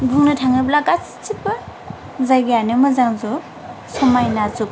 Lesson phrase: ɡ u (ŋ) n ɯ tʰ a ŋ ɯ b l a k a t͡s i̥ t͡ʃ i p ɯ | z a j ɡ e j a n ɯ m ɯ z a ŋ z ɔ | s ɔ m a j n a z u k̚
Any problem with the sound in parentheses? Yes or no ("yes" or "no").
no